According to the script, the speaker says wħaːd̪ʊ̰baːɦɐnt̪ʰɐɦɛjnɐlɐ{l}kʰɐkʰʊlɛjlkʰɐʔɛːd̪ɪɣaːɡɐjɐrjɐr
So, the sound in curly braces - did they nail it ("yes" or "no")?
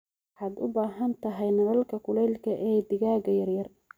yes